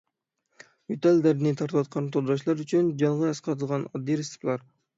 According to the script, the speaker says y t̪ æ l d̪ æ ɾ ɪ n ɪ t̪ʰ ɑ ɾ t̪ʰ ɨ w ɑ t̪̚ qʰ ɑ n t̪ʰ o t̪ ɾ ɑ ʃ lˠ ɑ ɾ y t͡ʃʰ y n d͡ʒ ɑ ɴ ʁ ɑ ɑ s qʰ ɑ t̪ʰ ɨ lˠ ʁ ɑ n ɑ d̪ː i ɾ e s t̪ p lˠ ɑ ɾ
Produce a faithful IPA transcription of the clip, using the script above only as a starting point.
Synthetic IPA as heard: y t̪ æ l d̪ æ ɾ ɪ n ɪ t̪ʰ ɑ ɾ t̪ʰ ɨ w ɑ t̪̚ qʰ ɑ n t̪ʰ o d̪ ɾ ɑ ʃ lˠ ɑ ɾ y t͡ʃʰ y n d͡ʒ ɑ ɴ ʁ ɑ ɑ s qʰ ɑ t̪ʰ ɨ lˠ ʁ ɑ n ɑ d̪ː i ɾ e s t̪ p lˠ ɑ ɾ